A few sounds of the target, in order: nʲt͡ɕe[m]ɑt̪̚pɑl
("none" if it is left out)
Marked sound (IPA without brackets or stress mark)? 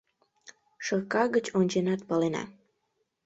n